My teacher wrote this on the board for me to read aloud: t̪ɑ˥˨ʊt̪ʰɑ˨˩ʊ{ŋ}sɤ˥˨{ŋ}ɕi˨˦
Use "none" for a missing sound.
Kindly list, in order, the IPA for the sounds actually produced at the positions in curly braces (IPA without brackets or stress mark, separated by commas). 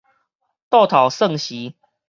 none, ŋ